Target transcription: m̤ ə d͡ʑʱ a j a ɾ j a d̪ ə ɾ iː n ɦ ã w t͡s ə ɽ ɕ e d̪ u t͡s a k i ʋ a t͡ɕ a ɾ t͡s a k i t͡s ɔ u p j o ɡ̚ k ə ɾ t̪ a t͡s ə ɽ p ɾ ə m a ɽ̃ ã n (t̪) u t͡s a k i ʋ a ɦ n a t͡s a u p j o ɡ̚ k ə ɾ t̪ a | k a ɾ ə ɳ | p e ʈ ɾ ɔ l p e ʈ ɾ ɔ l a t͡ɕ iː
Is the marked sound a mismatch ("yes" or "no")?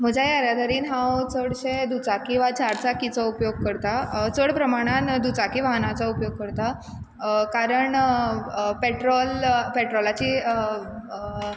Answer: yes